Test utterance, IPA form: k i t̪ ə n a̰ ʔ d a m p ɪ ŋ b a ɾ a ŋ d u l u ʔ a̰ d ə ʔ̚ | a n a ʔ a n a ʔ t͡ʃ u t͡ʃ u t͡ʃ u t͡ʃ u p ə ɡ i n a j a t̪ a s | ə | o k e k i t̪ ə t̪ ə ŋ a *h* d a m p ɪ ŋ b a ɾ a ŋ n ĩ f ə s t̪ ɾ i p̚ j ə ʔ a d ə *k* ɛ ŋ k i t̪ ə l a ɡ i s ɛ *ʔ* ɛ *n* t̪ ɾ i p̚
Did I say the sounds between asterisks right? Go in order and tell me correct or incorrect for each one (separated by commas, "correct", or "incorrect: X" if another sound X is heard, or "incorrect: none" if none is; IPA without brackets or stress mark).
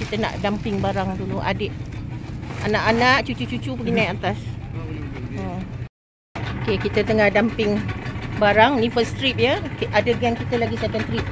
correct, incorrect: ɡ, incorrect: k, correct